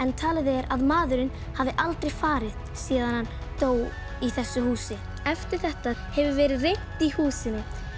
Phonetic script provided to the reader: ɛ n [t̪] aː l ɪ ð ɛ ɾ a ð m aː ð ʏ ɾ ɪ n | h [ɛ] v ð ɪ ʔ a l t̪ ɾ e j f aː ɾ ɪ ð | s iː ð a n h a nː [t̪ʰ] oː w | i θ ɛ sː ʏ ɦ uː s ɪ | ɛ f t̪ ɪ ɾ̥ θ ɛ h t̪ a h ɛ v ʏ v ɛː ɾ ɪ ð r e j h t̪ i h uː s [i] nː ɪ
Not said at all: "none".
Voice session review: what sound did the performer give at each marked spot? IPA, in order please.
t̪ʰ, a, t̪, ɪ

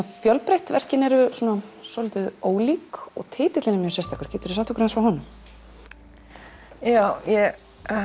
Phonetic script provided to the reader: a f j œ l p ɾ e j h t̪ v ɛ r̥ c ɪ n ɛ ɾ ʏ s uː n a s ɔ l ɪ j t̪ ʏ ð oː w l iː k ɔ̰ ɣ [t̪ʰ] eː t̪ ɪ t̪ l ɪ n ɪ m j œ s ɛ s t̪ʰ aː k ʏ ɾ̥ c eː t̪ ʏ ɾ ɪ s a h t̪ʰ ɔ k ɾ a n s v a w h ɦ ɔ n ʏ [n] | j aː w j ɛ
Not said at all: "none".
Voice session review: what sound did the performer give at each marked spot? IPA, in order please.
t̪ʰ, m

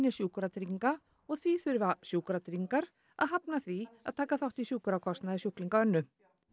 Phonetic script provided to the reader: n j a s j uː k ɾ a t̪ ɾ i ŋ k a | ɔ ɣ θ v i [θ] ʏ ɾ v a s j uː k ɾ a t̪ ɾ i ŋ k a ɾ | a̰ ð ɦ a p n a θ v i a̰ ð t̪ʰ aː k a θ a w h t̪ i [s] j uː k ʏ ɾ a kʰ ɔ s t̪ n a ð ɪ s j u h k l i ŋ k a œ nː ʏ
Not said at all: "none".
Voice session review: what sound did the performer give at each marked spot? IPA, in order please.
θ, s

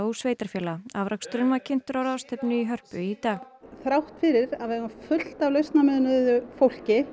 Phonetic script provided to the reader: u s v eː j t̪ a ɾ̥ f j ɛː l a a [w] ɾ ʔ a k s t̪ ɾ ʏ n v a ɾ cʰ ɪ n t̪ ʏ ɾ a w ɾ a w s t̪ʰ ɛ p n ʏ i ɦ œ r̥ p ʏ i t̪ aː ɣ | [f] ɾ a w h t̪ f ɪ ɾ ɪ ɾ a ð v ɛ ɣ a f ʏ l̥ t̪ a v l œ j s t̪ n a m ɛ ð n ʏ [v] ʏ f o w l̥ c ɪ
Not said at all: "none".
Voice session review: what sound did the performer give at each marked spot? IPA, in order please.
v, θ, ð

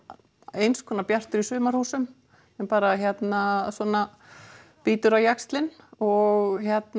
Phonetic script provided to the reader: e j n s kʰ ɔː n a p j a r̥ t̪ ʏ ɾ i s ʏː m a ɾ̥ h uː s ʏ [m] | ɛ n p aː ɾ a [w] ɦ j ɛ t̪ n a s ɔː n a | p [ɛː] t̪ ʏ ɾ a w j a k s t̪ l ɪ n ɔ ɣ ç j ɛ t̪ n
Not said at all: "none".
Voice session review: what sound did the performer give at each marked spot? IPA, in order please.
m, none, iː

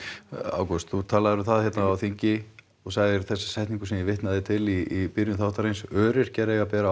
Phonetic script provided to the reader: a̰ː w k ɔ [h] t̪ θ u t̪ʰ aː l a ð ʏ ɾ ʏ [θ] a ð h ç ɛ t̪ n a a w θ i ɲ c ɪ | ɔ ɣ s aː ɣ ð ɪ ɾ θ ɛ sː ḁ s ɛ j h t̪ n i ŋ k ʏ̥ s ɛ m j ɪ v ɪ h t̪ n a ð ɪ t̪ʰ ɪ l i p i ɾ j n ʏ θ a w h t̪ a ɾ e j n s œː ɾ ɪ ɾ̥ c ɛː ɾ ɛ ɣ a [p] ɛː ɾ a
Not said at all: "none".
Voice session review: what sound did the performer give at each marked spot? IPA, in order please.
s, θ, p

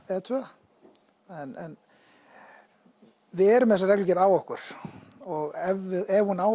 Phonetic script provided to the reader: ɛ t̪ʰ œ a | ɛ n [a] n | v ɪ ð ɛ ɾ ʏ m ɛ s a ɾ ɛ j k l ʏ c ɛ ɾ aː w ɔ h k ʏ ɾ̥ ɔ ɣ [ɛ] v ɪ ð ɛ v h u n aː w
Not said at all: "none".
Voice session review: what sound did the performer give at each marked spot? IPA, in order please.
ɛ, ɛ

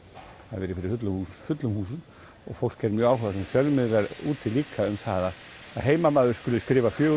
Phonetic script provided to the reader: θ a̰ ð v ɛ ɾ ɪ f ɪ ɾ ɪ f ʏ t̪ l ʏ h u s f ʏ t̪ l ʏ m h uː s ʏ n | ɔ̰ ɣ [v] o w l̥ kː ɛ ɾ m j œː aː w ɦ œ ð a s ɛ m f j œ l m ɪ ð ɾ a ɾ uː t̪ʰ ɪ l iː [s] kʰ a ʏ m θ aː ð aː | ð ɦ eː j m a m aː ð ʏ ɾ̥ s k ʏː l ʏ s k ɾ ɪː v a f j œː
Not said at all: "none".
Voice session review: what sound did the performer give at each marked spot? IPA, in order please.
f, none

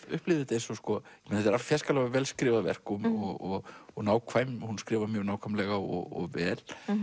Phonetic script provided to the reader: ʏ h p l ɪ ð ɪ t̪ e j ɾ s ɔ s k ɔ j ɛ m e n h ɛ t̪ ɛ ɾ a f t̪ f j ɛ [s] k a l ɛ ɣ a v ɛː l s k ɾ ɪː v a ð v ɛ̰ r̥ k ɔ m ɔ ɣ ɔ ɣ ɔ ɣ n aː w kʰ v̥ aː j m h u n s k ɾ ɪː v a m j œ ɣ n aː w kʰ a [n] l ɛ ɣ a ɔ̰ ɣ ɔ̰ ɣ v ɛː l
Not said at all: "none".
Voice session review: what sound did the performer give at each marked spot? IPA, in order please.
s, m

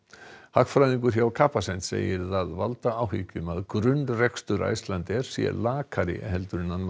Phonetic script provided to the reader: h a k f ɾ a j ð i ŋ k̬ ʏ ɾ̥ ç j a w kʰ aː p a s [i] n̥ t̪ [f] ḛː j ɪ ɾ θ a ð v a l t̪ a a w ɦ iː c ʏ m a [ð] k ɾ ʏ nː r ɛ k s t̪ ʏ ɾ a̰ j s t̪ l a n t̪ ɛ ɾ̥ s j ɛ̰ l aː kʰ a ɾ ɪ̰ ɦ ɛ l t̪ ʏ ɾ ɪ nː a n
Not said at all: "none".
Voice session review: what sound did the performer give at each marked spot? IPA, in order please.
ɛ, s, ð

